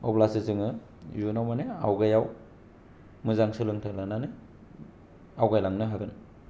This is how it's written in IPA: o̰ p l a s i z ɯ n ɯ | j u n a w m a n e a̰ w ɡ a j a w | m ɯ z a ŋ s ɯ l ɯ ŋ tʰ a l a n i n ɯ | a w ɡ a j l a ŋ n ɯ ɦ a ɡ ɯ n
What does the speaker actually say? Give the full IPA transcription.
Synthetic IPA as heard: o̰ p l a s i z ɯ ŋ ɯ | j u n a w m a n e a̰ w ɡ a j a w | m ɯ z a ŋ s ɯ l ɯ ŋ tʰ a l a n a n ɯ | a w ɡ a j l a ŋ n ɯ ɦ a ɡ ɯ n